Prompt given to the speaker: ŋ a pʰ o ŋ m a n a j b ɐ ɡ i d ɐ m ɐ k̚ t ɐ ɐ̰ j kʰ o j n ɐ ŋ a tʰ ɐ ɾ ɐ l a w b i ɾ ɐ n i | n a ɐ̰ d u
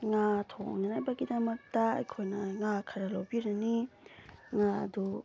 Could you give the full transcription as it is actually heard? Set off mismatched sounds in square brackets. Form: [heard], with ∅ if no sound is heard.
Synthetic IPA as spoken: ŋ a [tʰ] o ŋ [n] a n a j b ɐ ɡ i d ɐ m ɐ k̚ t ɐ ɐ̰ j kʰ o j n ɐ ŋ a [kʰ] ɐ ɾ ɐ l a w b i ɾ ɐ n i | [ŋ] a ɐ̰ d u